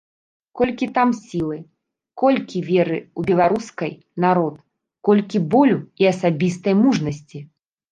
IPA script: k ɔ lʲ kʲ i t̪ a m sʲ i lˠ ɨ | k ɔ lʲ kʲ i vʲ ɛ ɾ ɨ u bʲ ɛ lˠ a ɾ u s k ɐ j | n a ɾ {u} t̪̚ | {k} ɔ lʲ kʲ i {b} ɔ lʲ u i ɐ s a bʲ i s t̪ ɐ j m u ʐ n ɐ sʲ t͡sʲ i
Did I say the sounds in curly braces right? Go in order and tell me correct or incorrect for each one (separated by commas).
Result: incorrect, correct, correct